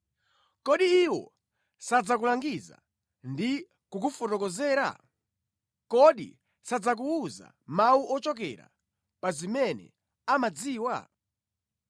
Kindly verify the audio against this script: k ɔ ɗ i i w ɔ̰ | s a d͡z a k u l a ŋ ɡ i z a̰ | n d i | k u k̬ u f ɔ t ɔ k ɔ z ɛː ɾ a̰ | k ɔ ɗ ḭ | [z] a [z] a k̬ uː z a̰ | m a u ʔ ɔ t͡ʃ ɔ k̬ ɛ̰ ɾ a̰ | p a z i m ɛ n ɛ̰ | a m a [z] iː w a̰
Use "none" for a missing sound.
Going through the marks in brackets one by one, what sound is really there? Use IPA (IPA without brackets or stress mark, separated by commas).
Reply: s, d͡z, d͡z